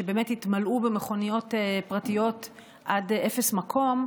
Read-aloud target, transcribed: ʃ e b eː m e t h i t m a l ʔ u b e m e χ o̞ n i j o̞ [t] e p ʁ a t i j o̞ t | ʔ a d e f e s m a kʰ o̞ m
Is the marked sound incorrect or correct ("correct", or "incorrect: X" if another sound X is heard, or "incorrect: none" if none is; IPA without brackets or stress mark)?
correct